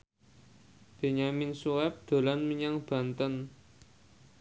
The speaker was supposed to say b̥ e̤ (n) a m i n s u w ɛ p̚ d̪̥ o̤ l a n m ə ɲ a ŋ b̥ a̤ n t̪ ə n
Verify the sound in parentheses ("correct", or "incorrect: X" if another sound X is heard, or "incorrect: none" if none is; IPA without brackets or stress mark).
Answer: incorrect: ɲ